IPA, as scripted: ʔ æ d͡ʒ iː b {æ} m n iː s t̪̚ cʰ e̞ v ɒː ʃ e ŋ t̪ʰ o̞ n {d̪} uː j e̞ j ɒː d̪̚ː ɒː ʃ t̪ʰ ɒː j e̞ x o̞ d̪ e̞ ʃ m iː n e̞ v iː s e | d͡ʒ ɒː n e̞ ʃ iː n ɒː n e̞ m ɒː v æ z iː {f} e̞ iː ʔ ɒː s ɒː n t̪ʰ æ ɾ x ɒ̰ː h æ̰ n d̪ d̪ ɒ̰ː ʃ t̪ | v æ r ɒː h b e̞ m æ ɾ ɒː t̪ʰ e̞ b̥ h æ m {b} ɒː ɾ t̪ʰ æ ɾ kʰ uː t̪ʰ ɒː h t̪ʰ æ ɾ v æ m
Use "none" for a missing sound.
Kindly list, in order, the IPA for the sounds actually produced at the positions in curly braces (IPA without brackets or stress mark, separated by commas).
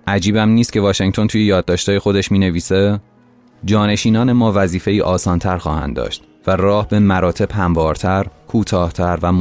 æ, t̪, f, v